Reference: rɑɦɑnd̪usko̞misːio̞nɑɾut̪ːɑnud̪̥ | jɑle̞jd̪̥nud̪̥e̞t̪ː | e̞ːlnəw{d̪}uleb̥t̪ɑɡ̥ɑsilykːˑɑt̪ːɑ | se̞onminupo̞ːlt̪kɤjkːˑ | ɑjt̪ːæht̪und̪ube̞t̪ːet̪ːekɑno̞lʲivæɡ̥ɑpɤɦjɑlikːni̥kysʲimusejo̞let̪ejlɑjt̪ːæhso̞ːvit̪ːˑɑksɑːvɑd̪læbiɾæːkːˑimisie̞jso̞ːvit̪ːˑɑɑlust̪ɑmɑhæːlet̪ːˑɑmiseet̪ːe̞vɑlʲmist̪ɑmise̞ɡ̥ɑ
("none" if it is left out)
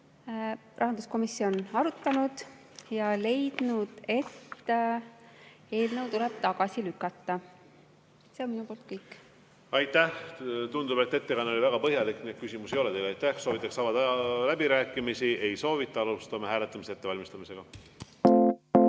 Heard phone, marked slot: t̪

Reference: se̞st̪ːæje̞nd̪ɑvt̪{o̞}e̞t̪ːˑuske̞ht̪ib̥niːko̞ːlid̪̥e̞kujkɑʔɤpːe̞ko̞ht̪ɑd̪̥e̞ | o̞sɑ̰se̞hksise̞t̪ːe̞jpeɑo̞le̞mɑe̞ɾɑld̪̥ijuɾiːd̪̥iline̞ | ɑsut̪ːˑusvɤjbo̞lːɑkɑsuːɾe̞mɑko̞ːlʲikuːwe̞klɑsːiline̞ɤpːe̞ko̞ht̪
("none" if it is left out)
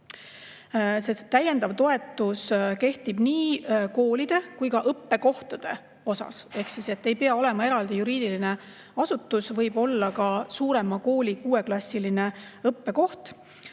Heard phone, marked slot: o̞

